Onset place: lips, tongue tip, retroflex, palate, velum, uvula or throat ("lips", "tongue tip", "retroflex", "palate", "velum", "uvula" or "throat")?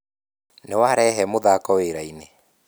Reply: tongue tip